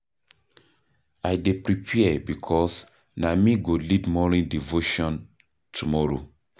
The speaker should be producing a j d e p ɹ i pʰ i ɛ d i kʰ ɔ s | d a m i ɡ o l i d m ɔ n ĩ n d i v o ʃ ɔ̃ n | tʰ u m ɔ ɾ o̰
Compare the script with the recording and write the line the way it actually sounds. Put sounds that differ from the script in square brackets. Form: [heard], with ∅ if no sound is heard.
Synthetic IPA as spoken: a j d e p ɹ i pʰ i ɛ [b] i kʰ ɔ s | [n] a m i ɡ o l i d m ɔ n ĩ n d i v o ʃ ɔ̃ n | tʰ u m ɔ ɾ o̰